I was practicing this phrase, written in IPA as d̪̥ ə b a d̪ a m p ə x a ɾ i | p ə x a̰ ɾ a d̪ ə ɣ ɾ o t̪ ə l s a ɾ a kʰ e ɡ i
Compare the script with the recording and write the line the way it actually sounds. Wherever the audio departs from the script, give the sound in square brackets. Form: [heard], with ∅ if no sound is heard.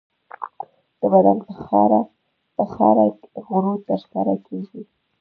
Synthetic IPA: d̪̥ ə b a d̪ a [n] p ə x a ɾ [a] | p ə x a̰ ɾ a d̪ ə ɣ ɾ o t̪ ə [ɾ] s a ɾ a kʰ e ɡ i